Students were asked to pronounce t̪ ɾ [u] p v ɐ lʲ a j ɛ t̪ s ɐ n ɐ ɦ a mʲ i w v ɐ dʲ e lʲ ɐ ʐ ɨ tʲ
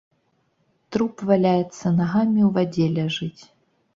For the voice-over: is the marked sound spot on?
yes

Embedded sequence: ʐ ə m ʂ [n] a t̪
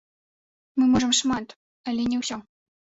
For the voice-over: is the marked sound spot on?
no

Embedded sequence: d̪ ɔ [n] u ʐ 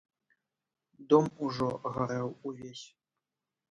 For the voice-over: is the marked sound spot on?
no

